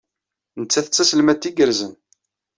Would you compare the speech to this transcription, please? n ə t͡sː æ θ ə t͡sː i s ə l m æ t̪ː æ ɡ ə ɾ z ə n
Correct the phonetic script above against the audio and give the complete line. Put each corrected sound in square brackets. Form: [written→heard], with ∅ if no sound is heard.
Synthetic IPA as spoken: n ə t͡sː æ θ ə t͡sː [i→æ] s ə l m æ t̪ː [æ→i] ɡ ə ɾ z ə n